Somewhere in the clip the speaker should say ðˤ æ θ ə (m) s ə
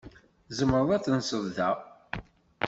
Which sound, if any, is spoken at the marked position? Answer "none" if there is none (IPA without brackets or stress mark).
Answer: n